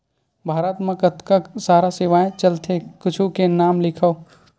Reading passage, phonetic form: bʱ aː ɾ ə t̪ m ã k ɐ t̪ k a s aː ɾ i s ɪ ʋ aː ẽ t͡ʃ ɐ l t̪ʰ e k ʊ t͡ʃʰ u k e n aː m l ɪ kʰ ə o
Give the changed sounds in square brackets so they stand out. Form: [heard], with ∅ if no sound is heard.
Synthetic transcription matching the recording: bʱ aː ɾ ə t̪ m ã k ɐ t̪ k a s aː ɾ [a] s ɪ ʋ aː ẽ t͡ʃ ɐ l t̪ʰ e k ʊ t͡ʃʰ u k e n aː m l ɪ kʰ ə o